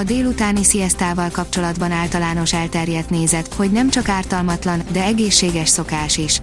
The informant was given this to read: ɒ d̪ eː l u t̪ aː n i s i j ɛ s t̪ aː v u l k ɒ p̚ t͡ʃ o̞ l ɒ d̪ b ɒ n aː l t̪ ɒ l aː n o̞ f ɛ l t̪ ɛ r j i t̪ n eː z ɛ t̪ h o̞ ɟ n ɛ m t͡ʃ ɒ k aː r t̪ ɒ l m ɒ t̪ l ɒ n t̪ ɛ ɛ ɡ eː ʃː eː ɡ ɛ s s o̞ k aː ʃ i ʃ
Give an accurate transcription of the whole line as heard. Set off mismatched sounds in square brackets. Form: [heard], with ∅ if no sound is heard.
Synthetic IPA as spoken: ɒ d̪ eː l u t̪ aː n i s i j ɛ s t̪ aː v [ɒ] l k ɒ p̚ t͡ʃ o̞ l ɒ d̪ b ɒ n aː l t̪ ɒ l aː n o̞ [ʃ] ɛ l t̪ ɛ r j [ɛ] t̪ n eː z ɛ t̪ h o̞ ɟ n ɛ m t͡ʃ ɒ k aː r t̪ ɒ l m ɒ t̪ l ɒ n [d̪] ɛ ɛ ɡ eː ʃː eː ɡ ɛ [ʃ] s o̞ k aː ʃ i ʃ